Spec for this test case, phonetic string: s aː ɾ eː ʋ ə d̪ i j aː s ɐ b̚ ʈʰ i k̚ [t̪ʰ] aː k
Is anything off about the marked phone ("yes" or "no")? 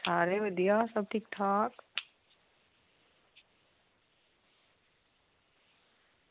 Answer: no